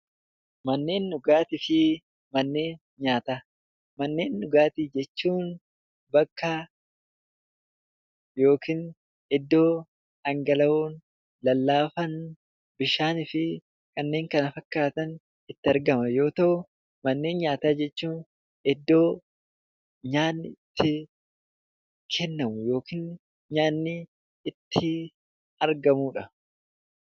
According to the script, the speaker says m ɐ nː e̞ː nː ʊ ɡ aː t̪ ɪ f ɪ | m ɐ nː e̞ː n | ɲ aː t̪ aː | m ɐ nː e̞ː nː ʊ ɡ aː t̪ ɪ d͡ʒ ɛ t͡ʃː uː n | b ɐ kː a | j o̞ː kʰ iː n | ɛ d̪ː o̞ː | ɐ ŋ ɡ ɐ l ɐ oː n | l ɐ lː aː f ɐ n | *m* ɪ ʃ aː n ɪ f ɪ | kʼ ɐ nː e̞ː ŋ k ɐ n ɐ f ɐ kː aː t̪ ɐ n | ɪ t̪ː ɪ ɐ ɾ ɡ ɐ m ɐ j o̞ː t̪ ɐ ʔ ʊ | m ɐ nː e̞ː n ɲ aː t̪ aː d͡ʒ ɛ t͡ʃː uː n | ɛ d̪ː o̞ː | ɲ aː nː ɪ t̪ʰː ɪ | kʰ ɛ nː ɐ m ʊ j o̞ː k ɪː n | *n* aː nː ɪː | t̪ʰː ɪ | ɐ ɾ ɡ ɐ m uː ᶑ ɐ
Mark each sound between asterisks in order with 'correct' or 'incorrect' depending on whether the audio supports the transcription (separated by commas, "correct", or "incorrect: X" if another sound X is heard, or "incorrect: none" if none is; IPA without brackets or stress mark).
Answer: incorrect: b, incorrect: ɲ